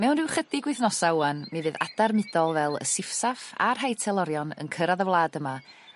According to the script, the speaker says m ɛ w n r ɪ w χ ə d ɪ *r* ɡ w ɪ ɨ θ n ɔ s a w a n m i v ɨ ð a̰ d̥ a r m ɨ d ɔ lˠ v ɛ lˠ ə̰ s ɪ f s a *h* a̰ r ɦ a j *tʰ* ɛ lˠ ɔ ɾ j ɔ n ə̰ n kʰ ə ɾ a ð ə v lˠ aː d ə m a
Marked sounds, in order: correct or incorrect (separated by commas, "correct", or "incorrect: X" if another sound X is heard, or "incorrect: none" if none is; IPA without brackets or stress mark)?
incorrect: none, incorrect: f, correct